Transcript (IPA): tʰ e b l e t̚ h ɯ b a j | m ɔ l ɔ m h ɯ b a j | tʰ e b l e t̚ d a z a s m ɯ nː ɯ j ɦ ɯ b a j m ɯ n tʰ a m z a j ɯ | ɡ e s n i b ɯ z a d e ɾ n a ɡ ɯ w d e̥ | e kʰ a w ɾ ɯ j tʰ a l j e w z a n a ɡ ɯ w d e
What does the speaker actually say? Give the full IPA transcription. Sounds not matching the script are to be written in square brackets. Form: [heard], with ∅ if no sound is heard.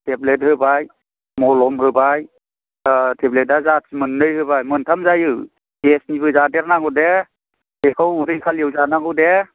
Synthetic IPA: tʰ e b l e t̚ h ɯ b a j | m ɔ l ɔ m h ɯ b a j | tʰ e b l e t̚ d a z a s m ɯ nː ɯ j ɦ ɯ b a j m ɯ n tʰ a m z a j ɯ | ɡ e s n i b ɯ z a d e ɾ n a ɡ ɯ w d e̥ | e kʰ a w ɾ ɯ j [kʰ] a l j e w z a n a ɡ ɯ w d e